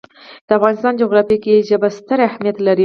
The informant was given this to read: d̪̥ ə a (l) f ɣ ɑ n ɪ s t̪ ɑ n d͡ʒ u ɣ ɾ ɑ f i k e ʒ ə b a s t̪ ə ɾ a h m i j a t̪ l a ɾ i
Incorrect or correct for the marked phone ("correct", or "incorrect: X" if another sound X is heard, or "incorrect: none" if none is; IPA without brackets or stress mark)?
incorrect: none